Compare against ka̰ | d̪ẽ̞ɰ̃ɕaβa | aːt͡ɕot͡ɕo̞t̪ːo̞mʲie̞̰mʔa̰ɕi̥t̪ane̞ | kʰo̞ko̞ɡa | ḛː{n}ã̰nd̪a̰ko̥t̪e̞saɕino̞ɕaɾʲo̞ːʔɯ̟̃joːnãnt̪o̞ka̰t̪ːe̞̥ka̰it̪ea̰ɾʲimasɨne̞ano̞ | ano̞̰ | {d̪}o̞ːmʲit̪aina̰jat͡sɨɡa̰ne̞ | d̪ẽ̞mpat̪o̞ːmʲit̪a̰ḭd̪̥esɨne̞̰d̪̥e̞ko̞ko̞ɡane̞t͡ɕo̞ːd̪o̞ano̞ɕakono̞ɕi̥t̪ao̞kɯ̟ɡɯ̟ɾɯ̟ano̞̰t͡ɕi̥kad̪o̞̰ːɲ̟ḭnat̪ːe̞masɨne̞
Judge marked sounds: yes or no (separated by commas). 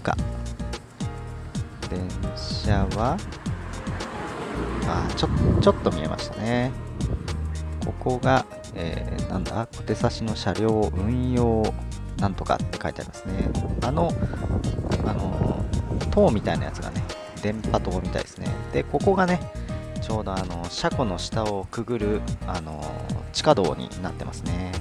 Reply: yes, no